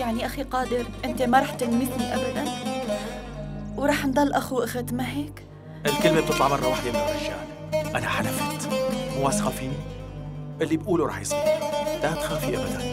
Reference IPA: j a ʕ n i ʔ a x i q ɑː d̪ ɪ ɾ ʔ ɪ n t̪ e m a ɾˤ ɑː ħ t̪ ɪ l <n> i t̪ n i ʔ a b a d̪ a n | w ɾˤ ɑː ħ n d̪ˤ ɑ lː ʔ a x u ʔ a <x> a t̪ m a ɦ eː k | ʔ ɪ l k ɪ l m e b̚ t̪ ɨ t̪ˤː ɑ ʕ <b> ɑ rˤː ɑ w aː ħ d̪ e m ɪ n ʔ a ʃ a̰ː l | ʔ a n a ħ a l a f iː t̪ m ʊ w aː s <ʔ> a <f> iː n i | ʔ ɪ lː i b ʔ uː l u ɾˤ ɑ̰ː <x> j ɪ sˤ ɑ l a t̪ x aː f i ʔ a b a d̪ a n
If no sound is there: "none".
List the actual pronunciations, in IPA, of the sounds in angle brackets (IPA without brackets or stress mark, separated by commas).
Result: m, x, m, q, f, ħ